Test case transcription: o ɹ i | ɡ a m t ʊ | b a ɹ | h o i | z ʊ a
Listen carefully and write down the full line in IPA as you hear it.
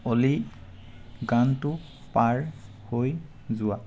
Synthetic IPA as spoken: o l i | ɡ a n t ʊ | p a ɹ | h o j | z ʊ a